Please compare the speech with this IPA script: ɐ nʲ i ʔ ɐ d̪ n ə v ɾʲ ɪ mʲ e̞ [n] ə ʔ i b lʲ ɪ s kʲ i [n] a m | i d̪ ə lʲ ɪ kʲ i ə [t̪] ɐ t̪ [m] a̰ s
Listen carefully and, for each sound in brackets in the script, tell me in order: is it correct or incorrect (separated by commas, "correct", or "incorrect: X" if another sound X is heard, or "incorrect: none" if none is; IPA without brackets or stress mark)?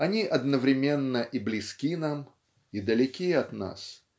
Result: incorrect: nː, correct, incorrect: none, incorrect: n